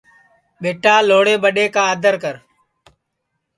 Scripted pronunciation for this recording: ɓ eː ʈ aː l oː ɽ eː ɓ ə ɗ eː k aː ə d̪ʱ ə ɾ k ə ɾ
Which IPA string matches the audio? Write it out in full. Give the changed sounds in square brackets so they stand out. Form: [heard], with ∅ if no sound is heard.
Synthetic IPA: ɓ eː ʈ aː l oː ɽ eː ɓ ə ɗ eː k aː ə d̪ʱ ə ɾ k ə ɾ